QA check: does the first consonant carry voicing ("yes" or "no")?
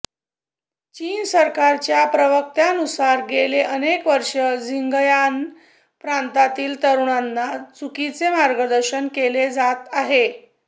no